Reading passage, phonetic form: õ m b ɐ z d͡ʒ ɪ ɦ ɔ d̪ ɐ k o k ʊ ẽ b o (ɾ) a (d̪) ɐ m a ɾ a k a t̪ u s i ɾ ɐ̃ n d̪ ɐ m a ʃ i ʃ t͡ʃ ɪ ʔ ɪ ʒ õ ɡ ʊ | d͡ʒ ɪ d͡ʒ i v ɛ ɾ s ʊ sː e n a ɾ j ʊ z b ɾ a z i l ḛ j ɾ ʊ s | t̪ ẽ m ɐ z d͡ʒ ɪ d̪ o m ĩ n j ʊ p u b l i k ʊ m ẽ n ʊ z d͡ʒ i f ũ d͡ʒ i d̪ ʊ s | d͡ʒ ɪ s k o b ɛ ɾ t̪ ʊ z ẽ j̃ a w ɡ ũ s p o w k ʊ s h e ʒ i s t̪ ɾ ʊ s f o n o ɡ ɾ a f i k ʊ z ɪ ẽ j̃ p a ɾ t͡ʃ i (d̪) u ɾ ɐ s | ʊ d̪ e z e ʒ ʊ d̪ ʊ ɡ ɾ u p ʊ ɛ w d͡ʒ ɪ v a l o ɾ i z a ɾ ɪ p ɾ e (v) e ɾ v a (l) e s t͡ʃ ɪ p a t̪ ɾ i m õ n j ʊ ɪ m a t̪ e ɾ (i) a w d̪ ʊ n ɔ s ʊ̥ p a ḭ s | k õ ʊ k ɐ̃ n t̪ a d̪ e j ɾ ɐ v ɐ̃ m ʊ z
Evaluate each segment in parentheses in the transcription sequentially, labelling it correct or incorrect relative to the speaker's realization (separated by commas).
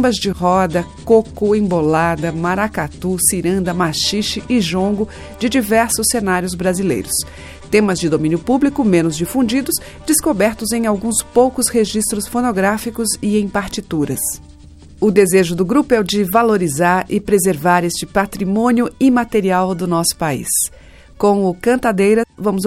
incorrect, correct, incorrect, incorrect, incorrect, correct